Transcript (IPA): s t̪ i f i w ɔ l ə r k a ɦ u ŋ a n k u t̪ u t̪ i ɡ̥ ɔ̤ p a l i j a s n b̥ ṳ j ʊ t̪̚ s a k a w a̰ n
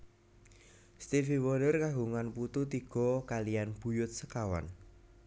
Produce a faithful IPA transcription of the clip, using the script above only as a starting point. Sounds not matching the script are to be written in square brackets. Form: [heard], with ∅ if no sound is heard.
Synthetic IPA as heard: s t̪ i f i w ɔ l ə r k a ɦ u ŋ a n [p] u t̪ u t̪ i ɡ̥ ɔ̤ [k] a l i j a [∅] n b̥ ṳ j ʊ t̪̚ s [ə] k a w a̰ n